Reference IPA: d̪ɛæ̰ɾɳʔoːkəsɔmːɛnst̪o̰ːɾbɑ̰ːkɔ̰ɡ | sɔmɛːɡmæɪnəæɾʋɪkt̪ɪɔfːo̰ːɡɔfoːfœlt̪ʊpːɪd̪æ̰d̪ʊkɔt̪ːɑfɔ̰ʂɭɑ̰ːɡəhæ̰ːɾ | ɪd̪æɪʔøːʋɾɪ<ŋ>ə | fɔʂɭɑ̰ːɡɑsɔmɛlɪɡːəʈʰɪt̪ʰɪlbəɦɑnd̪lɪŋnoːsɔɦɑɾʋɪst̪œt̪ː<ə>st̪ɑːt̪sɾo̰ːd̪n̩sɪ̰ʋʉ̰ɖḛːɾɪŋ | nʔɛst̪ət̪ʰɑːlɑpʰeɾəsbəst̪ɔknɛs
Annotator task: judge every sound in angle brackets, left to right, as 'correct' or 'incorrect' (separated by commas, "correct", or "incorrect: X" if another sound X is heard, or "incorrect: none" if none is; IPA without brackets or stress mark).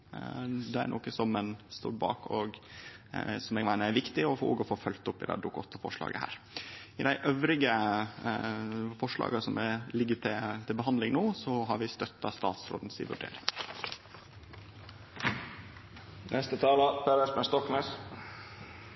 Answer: incorrect: ɡ, incorrect: ɑ